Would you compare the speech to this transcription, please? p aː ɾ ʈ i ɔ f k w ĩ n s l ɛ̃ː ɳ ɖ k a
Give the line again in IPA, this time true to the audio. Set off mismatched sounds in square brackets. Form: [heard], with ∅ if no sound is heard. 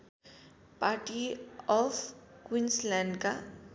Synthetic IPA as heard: p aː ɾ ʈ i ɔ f k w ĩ n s l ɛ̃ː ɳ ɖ k a